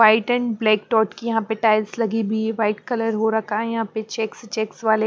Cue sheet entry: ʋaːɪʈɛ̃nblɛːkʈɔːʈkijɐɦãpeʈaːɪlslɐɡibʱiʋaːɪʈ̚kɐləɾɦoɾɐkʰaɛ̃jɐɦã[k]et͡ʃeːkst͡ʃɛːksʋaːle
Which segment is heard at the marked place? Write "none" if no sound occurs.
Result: p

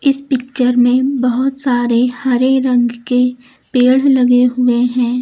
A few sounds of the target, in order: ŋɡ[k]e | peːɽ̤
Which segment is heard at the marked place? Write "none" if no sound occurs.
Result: k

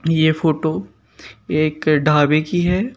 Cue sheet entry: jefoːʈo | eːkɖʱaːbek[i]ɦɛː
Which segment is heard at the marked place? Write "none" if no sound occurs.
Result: i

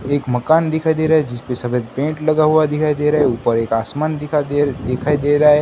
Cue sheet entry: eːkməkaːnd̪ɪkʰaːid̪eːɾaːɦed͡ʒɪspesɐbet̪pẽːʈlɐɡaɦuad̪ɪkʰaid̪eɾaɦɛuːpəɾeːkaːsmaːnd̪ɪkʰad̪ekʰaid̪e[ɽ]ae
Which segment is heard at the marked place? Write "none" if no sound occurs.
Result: ɾ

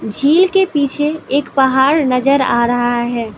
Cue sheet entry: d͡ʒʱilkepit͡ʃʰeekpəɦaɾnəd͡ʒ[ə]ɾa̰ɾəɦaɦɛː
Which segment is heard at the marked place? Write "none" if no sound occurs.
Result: ə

